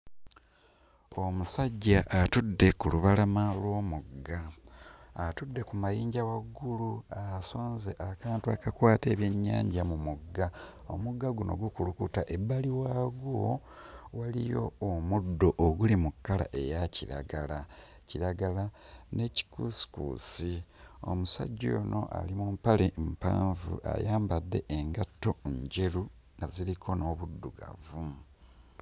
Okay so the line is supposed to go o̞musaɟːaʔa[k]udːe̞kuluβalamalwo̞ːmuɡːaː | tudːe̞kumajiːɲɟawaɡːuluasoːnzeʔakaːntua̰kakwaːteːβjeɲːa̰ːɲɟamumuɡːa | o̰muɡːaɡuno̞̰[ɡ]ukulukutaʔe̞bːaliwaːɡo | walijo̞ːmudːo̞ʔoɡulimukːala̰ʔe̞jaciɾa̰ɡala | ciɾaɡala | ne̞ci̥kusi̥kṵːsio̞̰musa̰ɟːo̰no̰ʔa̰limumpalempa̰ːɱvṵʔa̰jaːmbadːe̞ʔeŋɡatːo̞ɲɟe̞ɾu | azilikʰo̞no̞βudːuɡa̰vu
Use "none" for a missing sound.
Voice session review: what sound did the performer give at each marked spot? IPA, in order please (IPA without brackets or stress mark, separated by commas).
t, ɡ